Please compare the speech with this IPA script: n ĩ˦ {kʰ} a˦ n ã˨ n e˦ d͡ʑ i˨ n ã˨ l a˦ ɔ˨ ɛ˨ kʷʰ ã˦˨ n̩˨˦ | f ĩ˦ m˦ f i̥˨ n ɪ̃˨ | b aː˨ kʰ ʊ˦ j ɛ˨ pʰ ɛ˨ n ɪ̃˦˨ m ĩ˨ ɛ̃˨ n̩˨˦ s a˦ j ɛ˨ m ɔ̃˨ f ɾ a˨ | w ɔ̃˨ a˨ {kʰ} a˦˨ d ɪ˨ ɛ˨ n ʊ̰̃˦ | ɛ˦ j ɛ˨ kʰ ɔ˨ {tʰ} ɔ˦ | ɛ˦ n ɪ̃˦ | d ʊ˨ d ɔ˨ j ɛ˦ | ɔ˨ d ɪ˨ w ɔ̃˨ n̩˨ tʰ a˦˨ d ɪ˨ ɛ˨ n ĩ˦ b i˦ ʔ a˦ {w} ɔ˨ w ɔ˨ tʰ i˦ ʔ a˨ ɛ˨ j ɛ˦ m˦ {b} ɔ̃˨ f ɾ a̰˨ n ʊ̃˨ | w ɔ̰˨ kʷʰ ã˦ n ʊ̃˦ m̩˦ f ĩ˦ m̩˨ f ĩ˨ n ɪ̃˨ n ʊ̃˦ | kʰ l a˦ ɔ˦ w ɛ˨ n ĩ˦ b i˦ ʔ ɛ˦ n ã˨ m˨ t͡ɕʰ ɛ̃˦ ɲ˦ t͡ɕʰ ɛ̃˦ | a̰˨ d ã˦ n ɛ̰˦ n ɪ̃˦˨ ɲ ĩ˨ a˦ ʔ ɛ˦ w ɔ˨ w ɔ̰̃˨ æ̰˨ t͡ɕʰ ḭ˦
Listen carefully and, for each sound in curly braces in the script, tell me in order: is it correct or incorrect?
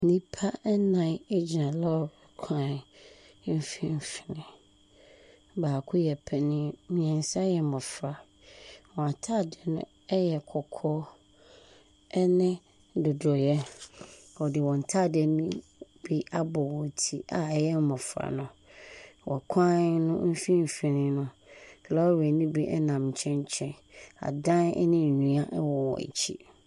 incorrect: pʰ, incorrect: tʰ, incorrect: kʰ, incorrect: b, incorrect: m

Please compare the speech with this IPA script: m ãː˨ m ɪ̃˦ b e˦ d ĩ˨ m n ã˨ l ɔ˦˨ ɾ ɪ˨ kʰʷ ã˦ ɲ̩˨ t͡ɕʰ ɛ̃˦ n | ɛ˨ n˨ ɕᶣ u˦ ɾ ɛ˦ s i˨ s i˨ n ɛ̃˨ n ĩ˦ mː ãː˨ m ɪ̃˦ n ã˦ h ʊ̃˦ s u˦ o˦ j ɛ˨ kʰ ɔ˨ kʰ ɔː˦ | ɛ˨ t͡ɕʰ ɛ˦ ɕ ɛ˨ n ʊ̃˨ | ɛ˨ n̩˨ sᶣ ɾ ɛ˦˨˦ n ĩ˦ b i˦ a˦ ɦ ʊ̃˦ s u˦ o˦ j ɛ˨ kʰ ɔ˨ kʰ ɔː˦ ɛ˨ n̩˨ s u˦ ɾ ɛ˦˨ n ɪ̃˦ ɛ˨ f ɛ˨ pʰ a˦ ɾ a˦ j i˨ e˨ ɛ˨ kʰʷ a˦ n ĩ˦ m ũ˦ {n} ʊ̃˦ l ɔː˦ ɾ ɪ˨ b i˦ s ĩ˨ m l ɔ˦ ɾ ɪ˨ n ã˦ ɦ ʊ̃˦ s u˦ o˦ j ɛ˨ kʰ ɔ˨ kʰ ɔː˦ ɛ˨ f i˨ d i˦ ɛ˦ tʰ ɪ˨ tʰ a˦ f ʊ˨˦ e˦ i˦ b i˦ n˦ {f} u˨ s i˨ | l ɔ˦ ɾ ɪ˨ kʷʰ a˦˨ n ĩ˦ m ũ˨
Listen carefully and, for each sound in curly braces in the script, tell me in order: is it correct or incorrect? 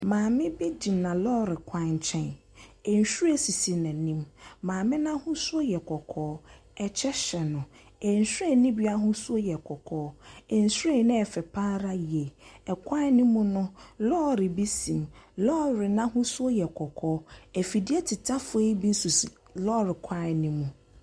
correct, incorrect: s

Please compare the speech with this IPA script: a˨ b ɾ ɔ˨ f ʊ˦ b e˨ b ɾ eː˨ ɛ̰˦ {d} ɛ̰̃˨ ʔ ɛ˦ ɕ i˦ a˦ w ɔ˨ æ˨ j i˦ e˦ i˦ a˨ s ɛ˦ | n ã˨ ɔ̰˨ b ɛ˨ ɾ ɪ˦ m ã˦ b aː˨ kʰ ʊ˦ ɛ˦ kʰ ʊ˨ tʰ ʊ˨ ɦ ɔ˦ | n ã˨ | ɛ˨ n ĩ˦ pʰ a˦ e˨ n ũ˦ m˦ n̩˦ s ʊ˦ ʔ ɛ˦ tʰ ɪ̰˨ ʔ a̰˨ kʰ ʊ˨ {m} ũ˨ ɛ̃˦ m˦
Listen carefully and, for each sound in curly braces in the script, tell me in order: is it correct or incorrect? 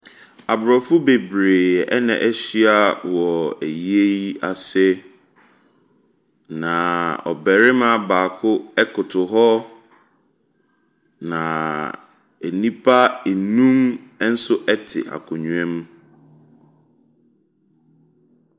incorrect: n, incorrect: ɲ

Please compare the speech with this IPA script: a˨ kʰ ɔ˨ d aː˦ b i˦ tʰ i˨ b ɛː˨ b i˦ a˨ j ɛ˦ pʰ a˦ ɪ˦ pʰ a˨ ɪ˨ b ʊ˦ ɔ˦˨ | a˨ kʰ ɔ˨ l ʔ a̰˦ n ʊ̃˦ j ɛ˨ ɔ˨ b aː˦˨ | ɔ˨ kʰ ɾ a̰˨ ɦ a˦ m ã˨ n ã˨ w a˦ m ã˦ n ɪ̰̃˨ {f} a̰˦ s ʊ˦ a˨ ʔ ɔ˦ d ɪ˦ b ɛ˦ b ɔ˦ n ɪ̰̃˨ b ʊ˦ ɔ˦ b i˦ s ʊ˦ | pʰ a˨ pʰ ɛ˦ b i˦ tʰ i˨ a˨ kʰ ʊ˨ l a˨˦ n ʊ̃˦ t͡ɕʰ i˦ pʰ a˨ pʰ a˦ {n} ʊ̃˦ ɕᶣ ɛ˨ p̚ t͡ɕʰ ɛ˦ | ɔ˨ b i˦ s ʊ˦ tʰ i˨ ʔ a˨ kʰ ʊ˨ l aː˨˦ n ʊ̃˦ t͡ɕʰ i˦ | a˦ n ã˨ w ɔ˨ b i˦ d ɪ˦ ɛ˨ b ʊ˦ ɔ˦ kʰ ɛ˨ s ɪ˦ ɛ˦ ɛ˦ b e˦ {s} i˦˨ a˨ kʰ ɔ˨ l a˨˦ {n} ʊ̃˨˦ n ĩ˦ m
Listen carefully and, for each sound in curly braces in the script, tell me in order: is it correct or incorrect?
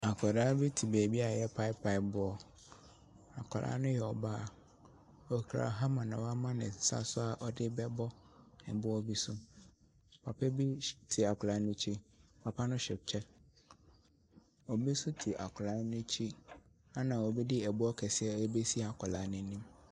incorrect: s, correct, correct, correct

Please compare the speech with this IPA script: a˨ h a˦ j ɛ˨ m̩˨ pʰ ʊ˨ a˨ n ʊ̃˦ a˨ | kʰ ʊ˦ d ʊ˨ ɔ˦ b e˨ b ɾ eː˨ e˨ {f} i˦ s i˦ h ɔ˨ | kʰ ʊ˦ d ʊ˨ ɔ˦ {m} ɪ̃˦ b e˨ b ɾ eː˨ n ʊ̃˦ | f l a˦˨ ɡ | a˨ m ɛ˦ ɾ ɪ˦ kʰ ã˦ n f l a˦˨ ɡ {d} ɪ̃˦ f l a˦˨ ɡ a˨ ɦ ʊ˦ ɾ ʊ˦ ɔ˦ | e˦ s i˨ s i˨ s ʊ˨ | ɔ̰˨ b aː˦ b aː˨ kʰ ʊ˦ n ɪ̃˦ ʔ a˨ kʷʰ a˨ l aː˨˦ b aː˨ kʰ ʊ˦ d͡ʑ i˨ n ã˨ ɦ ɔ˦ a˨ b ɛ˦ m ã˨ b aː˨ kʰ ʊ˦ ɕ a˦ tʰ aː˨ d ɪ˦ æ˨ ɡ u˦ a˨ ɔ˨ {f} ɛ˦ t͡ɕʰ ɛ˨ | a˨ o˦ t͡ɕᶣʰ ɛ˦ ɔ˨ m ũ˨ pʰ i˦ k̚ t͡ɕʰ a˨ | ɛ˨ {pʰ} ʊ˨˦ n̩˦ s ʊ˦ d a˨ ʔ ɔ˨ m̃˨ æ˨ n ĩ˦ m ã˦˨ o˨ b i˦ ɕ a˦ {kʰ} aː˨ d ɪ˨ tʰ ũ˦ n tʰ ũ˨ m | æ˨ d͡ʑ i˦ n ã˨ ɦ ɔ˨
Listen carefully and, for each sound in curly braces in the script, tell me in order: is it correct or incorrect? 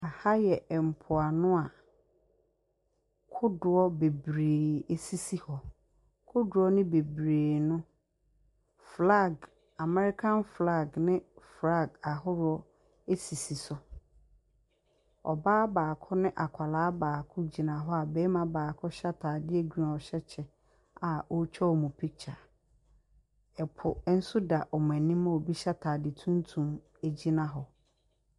incorrect: s, incorrect: n, incorrect: n, incorrect: ɕ, correct, incorrect: tʰ

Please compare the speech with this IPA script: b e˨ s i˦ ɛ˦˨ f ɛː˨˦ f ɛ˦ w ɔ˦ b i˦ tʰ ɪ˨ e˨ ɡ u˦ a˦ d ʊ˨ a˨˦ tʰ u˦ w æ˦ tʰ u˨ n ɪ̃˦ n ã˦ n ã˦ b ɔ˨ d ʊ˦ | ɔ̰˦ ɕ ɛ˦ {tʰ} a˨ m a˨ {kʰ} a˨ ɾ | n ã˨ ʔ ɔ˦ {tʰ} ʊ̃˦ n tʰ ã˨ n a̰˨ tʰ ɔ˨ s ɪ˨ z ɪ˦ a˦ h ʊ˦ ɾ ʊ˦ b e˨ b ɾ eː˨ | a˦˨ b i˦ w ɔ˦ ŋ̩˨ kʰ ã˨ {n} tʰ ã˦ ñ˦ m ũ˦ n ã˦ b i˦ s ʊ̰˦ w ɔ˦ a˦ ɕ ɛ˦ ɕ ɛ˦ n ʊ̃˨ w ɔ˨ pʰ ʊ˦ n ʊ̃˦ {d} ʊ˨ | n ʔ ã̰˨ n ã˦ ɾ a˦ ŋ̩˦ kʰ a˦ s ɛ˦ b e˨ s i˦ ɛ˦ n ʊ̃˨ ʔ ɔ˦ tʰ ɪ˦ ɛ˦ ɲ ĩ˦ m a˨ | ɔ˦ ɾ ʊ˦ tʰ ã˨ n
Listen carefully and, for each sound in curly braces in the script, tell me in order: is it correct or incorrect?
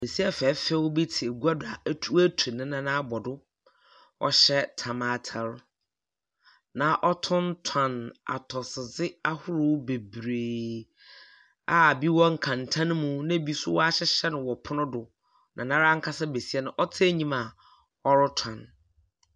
correct, incorrect: tʰ, correct, correct, correct

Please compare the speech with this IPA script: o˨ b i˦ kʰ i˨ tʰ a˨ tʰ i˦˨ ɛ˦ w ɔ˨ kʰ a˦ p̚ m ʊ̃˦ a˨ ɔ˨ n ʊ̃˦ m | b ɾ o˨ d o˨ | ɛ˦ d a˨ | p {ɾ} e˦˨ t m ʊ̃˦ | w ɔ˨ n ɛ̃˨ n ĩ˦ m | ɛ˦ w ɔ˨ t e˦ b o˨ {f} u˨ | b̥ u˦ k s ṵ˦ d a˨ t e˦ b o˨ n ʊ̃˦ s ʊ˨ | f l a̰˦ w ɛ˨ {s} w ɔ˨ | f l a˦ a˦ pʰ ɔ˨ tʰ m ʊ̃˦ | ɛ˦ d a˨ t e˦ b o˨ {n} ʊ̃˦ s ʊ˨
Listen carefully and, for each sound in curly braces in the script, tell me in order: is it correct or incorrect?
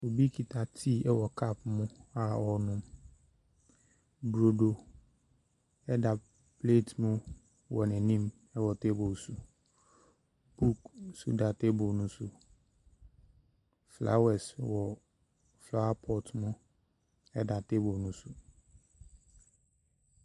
incorrect: l, incorrect: s, correct, correct

